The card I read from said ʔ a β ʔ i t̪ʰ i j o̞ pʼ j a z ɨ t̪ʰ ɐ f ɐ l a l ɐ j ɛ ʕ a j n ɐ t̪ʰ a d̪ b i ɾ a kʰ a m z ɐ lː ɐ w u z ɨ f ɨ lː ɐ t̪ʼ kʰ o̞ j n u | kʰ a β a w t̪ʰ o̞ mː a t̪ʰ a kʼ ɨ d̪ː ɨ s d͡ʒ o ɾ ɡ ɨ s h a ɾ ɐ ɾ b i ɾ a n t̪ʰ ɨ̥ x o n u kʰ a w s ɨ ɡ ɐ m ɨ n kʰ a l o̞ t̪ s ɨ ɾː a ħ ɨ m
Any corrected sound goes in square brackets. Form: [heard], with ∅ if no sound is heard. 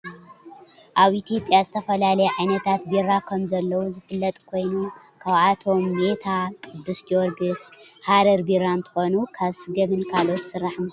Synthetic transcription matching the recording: ʔ a β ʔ i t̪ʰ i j o̞ pʼ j a z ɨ t̪ʰ ɐ f ɐ l a l ɐ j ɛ ʕ a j n ɐ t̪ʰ a [t̪] b i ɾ a kʰ [ɐ] m z ɐ lː ɐ w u z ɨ f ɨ lː ɐ t̪ʼ kʰ o̞ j n u | kʰ a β a [∅] t̪ʰ o̞ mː [e] t̪ʰ a kʼ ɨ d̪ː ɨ s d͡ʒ o ɾ ɡ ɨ s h a ɾ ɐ ɾ b i ɾ a n t̪ʰ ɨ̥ x o n u kʰ a [β] s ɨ ɡ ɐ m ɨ n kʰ a l o̞ t̪ s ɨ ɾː a ħ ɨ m